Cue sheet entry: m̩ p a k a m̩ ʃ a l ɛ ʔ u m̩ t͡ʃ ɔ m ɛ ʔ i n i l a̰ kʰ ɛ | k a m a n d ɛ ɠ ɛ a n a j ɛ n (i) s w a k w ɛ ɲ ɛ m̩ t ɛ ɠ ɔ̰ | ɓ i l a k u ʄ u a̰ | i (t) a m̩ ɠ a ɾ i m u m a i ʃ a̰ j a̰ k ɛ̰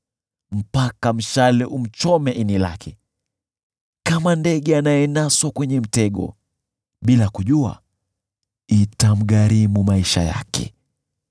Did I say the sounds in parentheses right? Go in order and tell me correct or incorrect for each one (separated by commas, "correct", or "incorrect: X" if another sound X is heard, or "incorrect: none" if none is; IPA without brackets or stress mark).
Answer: incorrect: a, correct